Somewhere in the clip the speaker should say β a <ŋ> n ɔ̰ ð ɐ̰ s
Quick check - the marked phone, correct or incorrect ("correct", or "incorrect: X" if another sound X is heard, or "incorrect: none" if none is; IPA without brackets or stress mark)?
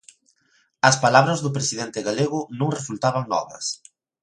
correct